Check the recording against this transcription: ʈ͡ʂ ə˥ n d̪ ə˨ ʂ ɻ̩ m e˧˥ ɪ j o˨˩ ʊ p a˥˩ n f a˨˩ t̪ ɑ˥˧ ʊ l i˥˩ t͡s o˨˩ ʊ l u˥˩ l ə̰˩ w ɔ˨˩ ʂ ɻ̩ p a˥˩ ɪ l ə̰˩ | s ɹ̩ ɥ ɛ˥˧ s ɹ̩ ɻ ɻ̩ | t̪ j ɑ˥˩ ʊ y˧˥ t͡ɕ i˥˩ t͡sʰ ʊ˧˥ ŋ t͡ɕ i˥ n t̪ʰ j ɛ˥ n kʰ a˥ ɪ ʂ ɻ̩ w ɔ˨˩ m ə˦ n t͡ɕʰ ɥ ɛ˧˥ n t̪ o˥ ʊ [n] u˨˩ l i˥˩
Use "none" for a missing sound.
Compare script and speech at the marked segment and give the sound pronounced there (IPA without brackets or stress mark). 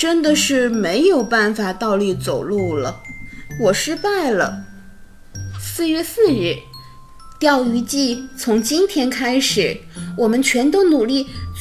n